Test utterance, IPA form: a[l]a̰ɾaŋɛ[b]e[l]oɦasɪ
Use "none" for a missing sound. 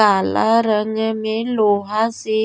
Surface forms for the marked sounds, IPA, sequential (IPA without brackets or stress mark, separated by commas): l, m, l